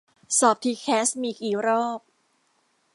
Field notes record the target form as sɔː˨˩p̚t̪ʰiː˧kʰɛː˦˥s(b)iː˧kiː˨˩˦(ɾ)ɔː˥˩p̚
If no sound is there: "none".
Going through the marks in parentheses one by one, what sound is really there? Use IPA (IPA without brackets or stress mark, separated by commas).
m, ɾ